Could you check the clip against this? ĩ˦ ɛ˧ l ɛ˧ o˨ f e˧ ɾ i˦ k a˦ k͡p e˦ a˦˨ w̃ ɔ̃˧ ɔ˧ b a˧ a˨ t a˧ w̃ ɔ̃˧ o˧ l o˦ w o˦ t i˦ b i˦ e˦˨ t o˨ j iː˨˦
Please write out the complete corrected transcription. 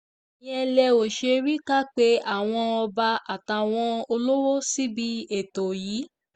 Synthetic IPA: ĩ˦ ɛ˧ l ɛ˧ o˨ ʃ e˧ ɾ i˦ k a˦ k͡p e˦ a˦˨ w̃ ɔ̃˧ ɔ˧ b a˧ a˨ t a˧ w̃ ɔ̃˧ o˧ l o˦ w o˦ s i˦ b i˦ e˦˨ t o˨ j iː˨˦